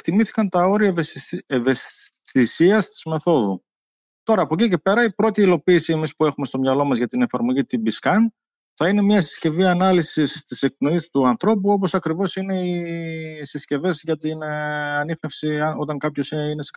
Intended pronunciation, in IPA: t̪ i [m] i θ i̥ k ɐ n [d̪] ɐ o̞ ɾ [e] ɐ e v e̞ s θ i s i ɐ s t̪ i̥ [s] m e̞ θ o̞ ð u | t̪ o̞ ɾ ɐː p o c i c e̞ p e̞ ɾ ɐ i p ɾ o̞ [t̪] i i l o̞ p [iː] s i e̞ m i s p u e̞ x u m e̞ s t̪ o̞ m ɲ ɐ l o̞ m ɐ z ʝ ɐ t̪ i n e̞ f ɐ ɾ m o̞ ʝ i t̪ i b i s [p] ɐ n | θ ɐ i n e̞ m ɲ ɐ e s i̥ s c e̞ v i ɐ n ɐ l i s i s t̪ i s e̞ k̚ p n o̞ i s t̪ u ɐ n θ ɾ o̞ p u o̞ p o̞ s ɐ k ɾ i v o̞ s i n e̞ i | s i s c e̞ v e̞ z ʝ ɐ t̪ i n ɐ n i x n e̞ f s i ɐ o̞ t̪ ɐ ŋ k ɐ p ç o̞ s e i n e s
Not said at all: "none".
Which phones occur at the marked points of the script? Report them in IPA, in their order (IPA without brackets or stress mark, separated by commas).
m, t̪, i, z, t̪, iː, k